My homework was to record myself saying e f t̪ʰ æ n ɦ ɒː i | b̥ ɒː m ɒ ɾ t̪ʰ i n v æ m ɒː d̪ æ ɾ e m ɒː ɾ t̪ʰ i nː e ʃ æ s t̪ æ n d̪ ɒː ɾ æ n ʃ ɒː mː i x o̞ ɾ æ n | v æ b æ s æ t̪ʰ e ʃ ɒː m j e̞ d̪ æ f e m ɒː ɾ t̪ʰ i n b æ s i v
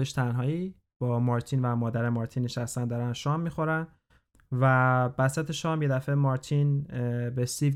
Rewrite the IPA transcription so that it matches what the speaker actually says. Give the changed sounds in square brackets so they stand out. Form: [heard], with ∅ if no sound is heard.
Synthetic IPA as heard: e [ʃ] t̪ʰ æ n ɦ ɒː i | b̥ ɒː m ɒ ɾ t̪ʰ i n v æ m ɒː d̪ æ ɾ e m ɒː ɾ t̪ʰ i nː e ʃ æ s t̪ æ n d̪ ɒː ɾ æ n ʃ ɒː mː i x o̞ ɾ æ n | v æ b æ s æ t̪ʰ e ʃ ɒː m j e̞ d̪ æ f e m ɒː ɾ t̪ʰ i n b [e] s i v